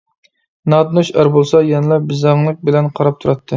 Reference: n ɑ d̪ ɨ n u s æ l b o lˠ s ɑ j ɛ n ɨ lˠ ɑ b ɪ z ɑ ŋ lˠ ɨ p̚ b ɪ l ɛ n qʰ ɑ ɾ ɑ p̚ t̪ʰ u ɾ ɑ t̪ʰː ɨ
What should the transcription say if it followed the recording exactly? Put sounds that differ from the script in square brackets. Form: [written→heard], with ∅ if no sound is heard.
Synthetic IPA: n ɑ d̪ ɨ n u [s→ʃ] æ [l→ɾ] b o lˠ s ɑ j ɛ n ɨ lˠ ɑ b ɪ z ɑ ŋ lˠ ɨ [p̚→k̚] b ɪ l ɛ n qʰ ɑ ɾ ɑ p̚ t̪ʰ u ɾ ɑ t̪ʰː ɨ